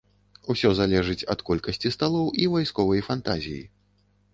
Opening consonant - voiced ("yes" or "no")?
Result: no